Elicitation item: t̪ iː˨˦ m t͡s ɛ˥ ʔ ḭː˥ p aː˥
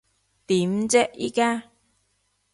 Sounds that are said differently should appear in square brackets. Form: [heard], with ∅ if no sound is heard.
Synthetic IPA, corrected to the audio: t̪ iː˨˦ m t͡s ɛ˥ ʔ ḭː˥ [k] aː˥